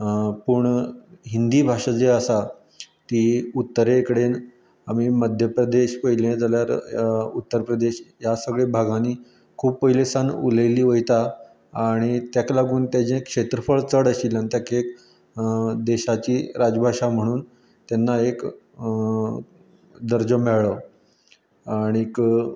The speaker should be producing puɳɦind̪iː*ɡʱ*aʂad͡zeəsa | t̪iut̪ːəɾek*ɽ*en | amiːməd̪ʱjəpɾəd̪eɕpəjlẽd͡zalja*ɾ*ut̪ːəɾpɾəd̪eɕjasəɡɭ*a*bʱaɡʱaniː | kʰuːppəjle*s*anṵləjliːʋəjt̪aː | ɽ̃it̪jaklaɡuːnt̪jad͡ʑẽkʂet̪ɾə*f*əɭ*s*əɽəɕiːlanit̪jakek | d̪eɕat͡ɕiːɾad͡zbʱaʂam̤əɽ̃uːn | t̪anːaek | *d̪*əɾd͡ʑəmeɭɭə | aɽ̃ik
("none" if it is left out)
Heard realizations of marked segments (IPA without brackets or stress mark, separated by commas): bʱ, ɽ, ɾ, e, s, f, t͡s, d̪